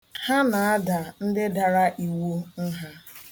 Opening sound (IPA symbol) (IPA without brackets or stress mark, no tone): h